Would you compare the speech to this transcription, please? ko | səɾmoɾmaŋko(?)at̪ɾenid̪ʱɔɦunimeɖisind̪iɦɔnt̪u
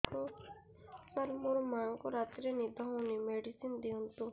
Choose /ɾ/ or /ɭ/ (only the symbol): ɾ